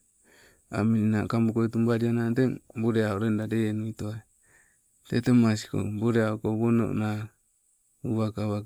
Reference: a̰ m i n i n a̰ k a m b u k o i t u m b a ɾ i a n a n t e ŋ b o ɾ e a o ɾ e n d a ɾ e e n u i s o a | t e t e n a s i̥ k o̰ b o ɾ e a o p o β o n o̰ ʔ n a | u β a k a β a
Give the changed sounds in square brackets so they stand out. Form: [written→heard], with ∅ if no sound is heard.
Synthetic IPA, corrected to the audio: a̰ m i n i n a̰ k a m b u k o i t u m b a ɾ i a n a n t e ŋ b o ɾ e a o ɾ e n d a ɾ e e n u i [s→t] o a | t e t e [n→m] a s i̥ k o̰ b o ɾ e a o [p→k] o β o n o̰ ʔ n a | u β a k a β a